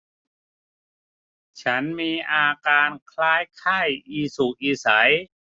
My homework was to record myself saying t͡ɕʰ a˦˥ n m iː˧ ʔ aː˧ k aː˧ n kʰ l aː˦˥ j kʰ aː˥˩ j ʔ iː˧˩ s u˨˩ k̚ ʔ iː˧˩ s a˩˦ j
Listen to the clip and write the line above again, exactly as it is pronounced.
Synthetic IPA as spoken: t͡ɕʰ a˦˥ n m iː˧ ʔ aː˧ k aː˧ n kʰ l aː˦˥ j kʰ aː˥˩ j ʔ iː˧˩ s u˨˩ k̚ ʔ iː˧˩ s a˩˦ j